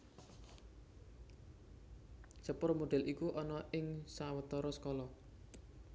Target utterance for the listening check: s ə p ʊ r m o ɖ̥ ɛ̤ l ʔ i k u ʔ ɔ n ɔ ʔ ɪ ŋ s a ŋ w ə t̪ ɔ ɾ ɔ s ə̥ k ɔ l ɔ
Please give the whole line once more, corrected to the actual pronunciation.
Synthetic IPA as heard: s ə p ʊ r m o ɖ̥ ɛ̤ l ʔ i k u ʔ ɔ n ɔ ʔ ɪ ŋ s a w ə t̪ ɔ ɾ ɔ s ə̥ k ɔ l ɔ